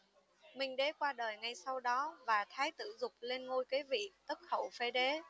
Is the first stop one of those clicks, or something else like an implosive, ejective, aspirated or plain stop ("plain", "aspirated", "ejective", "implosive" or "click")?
implosive